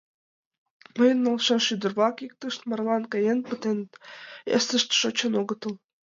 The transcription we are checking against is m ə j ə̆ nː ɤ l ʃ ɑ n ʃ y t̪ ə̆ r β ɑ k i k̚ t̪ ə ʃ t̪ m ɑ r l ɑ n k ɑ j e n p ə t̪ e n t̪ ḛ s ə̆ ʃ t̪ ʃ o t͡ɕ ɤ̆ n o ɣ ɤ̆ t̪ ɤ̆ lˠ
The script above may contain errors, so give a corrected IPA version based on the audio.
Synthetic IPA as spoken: m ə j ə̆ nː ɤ l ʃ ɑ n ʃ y d̪ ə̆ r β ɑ k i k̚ t̪ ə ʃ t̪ m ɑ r l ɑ n k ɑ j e n p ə t̪ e n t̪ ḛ s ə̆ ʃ t̪ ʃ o t͡ɕ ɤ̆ n o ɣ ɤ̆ t̪ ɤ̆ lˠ